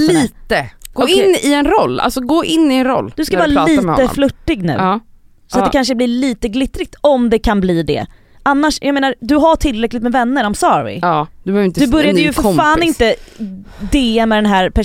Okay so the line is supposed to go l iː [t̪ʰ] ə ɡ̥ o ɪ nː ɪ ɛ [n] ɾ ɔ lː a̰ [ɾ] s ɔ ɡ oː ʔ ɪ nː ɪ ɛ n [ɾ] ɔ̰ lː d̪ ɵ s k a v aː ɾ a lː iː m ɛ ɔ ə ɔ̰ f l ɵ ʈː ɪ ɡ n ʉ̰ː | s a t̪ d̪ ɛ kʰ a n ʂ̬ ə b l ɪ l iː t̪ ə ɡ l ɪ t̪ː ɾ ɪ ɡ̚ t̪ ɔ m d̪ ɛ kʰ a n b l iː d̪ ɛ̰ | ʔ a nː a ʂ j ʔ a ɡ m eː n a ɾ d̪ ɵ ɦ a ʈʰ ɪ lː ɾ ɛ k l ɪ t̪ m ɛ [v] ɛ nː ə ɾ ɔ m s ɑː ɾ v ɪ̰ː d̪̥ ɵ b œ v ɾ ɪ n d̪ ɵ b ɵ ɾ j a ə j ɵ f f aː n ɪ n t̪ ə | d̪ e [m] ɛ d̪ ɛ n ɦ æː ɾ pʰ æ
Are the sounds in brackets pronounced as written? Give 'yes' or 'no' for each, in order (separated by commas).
no, yes, no, yes, yes, yes